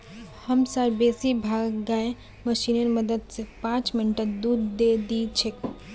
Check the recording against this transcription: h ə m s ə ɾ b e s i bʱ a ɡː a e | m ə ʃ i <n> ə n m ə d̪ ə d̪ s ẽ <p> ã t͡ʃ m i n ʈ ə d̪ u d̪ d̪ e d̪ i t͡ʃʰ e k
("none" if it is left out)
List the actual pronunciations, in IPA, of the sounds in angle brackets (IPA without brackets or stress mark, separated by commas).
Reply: n, p